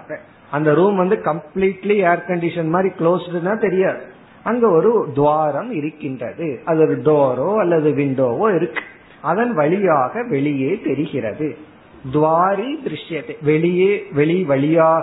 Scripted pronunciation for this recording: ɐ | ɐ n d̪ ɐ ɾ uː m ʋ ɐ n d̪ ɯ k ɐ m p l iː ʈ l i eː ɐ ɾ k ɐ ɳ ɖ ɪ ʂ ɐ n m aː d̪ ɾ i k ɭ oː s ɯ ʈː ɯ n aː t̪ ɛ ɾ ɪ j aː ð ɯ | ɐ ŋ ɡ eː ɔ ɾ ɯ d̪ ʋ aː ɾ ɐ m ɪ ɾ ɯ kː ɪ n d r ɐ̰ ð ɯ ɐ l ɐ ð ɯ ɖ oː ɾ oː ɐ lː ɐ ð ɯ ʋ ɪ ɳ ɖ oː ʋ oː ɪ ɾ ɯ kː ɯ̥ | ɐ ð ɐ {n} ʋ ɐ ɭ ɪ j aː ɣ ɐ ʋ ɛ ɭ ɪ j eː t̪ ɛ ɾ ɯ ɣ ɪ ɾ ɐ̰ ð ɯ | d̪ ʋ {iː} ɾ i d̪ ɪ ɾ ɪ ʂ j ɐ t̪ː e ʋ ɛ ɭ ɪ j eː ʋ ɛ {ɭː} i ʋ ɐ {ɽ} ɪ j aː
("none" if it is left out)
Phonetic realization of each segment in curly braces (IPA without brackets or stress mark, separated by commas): n, aː, ɭ, ɭ